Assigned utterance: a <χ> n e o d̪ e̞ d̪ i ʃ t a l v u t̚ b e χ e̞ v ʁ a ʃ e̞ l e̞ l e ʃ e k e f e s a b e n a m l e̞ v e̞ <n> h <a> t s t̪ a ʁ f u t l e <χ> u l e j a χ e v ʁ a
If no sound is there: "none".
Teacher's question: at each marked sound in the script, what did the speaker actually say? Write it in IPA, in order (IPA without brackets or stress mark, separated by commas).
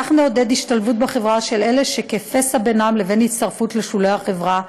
χ, n, i, ʃ